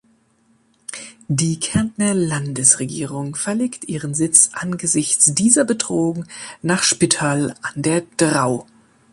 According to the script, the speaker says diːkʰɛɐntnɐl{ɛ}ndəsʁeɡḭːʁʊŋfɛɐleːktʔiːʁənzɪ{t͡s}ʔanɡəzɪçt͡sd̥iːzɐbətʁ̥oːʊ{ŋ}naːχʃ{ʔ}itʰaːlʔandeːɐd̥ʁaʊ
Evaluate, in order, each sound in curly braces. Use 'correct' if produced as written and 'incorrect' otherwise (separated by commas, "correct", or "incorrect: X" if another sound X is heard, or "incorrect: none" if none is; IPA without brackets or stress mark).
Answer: incorrect: a, correct, correct, incorrect: p